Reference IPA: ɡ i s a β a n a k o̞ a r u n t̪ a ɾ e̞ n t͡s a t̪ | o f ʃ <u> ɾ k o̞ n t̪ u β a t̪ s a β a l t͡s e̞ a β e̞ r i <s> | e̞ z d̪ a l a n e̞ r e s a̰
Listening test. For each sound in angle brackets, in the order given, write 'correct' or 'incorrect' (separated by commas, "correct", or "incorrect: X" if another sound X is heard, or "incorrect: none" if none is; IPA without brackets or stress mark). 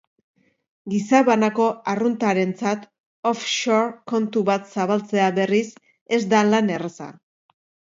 incorrect: o, correct